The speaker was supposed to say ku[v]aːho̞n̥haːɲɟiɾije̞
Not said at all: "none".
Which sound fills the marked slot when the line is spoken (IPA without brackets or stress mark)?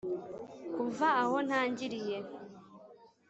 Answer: v